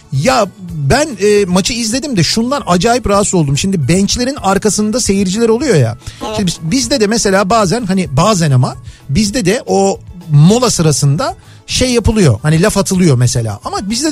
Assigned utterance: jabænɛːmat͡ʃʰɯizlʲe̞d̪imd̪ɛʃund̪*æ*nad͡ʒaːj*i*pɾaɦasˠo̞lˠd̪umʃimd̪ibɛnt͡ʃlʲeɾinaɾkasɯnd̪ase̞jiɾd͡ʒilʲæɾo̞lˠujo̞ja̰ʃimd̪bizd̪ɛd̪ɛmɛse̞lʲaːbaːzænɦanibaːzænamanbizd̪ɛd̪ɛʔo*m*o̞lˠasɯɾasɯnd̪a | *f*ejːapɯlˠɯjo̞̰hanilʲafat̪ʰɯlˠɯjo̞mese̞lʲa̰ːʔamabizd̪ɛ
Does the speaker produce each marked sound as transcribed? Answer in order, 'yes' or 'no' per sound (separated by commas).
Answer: no, yes, yes, no